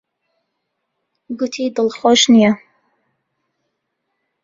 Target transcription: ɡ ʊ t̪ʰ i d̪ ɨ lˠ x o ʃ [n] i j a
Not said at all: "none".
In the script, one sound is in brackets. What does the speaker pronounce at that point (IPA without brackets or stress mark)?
n